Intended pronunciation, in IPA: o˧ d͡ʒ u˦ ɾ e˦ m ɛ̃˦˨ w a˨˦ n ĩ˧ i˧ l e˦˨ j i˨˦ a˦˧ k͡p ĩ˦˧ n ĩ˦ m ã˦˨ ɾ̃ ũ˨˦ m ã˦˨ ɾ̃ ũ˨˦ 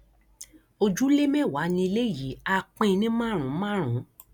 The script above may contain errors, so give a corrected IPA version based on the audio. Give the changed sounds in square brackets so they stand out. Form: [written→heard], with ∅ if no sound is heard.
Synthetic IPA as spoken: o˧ d͡ʒ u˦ [ɾ→l] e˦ m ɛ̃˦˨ w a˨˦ n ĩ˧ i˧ l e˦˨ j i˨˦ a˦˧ k͡p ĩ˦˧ n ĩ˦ m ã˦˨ ɾ̃ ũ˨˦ m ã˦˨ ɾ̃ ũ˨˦